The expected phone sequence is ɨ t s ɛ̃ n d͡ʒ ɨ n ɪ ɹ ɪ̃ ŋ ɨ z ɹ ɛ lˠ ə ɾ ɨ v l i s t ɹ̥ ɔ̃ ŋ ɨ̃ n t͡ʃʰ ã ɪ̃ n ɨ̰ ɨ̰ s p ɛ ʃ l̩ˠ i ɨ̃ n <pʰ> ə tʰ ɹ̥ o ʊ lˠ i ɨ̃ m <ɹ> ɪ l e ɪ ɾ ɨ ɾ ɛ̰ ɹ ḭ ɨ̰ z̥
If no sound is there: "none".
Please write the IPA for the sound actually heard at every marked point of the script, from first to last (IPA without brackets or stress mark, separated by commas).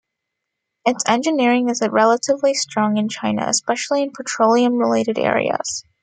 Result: pʰ, ɹ